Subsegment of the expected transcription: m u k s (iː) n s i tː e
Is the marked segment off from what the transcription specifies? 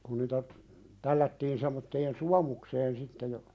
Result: yes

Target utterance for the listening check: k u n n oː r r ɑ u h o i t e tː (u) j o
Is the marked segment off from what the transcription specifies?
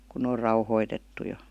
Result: no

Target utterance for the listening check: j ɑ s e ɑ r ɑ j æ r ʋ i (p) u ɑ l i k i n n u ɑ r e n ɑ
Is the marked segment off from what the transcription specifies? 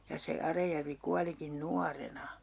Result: yes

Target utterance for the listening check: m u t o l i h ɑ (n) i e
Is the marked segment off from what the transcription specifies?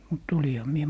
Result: yes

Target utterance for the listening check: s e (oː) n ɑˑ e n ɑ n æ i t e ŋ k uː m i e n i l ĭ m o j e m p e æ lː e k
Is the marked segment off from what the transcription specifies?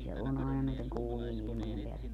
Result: yes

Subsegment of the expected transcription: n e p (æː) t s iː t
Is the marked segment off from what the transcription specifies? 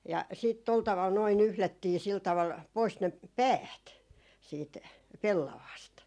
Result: no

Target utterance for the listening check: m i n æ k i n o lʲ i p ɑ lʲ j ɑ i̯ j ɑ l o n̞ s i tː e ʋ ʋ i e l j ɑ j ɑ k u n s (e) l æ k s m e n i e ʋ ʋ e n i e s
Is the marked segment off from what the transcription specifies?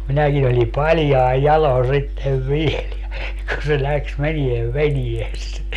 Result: no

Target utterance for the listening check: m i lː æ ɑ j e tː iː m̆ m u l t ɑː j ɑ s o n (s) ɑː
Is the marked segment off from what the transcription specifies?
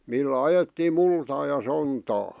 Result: yes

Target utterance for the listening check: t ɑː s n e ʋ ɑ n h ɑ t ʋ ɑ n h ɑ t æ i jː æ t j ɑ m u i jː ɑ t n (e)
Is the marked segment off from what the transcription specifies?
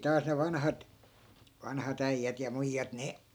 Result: no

